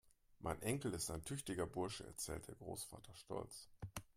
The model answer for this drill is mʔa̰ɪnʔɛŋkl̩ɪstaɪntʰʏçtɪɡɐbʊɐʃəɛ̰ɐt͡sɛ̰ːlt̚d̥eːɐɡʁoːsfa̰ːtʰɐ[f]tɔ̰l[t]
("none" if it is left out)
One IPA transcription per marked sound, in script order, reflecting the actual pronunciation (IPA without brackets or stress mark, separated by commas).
ʃ, t͡s